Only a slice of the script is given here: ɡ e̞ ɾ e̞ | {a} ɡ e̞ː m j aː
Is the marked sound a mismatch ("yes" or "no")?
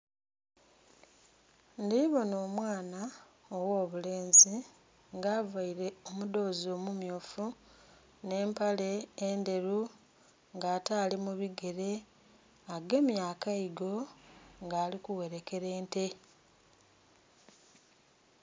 no